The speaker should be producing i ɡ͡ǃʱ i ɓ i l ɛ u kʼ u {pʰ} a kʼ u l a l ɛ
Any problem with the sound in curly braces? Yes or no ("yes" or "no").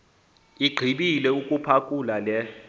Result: no